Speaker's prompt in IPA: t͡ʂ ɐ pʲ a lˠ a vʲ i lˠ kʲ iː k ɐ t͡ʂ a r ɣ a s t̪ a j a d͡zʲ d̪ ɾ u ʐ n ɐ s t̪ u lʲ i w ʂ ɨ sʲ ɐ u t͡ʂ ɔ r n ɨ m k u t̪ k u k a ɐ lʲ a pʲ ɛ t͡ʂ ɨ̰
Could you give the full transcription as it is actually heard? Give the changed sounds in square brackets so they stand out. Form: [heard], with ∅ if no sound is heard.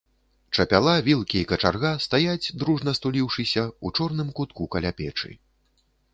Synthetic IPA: t͡ʂ ɐ pʲ a lˠ a vʲ i lˠ kʲ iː k ɐ t͡ʂ a r ɣ a s t̪ a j a d͡zʲ d̪ ɾ u ʐ n ɐ s t̪ u lʲ i w ʂ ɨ sʲ ɐ u t͡ʂ ɔ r n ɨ m k u t̪ k u k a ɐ lʲ a pʲ ɛ t͡ʂ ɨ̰